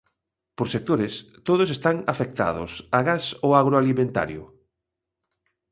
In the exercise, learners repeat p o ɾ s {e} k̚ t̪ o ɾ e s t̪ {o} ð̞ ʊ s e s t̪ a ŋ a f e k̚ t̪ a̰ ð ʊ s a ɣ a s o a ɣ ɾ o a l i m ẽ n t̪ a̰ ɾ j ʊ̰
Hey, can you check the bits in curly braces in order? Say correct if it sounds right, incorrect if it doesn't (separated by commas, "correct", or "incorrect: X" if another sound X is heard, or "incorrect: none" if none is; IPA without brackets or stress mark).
correct, correct